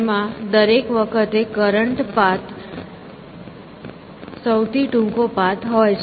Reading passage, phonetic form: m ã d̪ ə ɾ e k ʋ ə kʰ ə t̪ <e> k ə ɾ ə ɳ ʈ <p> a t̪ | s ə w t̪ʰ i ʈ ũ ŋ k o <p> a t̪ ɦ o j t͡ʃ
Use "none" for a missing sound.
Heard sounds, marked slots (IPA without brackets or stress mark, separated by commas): e, p, p